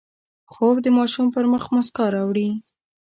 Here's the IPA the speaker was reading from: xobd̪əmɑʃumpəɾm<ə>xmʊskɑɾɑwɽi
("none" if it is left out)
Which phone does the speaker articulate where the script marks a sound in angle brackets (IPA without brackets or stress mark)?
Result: ə